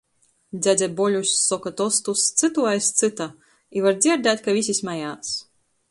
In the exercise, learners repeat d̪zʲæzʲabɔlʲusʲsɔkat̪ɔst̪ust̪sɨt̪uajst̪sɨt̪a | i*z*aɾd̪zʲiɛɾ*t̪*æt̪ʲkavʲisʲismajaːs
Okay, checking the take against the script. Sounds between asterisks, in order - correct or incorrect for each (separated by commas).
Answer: incorrect, incorrect